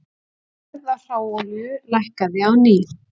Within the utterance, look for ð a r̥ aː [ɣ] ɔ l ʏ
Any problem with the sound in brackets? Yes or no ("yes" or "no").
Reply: yes